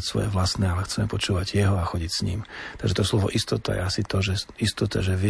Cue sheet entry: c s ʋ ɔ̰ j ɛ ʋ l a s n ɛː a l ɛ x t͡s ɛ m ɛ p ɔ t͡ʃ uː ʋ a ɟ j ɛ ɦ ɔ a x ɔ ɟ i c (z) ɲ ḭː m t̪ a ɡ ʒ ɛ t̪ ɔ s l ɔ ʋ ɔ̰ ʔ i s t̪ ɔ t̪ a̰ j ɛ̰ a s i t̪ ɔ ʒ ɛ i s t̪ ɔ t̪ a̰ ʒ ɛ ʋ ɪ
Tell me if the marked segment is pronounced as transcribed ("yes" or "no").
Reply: no